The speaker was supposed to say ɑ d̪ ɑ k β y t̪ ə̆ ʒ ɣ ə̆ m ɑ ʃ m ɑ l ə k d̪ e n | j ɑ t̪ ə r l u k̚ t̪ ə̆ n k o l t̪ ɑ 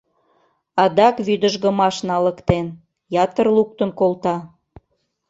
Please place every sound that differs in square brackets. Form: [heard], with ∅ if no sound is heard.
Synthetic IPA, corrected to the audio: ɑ d̪ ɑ k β y [d̪] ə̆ ʒ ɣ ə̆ m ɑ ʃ [n] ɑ l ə k [t̪] e n | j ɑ t̪ ə r l u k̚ t̪ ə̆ n k o l t̪ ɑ